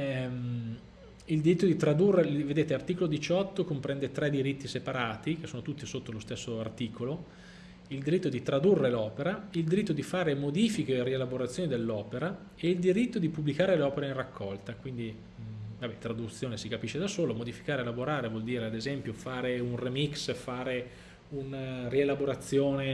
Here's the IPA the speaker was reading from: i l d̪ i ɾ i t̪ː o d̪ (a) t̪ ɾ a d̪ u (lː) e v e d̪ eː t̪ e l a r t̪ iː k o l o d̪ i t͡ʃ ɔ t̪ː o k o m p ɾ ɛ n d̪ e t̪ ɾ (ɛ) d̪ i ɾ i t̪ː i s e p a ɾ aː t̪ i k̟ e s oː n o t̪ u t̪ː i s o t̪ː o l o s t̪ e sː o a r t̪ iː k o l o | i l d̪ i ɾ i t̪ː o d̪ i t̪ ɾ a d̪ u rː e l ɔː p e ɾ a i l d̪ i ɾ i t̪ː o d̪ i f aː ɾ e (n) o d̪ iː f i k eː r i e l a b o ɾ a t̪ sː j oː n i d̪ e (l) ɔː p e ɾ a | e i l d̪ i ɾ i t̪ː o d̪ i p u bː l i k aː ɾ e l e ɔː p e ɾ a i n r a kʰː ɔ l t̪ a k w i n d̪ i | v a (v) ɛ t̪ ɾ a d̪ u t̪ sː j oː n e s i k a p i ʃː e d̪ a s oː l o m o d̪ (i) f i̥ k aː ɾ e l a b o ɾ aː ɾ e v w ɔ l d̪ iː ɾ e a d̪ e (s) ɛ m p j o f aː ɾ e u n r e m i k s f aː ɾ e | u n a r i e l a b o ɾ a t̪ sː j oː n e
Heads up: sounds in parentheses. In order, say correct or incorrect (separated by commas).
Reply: incorrect, incorrect, correct, incorrect, incorrect, incorrect, correct, incorrect